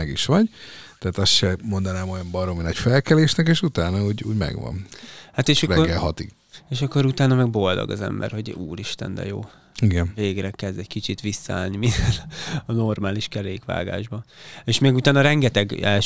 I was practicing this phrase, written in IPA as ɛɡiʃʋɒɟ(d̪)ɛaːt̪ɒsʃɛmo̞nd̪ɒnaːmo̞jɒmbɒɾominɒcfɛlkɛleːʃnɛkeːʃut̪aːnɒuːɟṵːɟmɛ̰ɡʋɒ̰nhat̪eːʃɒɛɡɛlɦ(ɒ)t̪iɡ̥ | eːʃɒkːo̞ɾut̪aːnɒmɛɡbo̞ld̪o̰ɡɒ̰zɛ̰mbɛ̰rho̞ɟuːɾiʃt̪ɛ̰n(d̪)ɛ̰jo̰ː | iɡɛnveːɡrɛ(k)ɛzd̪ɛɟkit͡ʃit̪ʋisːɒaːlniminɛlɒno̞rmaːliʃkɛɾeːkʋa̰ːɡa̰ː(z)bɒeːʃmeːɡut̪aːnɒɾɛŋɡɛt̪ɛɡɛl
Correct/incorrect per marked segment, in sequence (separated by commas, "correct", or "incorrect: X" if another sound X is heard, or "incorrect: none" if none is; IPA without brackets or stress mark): incorrect: t̪, correct, correct, correct, incorrect: ʒ